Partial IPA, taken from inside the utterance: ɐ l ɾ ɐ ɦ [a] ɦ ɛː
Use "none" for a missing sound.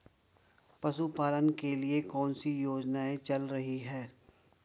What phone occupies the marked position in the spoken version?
i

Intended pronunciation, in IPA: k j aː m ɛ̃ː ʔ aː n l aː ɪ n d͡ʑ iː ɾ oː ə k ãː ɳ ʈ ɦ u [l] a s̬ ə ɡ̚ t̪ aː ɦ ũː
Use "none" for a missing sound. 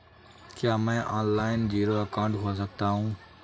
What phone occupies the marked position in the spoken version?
none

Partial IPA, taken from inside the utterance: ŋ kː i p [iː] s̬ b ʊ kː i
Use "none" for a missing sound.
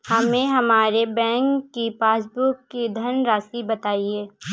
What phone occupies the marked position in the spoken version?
aː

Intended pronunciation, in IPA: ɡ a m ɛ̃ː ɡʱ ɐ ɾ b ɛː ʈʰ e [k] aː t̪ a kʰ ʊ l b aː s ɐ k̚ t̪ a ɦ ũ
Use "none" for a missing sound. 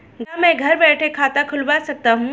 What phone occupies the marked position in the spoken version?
kʰ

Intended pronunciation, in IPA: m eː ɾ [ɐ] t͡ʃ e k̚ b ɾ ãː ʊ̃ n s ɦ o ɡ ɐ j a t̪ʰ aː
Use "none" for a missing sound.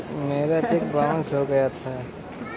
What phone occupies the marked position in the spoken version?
a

